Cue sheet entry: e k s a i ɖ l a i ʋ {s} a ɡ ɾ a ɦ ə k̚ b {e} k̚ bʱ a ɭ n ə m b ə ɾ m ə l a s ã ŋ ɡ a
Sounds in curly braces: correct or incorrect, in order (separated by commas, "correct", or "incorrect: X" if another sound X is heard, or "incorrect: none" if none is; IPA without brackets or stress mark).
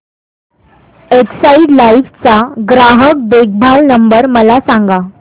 incorrect: t͡s, correct